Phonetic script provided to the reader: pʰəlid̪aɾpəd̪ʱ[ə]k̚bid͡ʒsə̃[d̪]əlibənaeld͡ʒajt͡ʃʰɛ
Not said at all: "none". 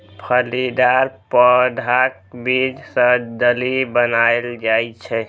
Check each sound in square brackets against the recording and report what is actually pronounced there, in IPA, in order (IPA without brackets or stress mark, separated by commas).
a, d̪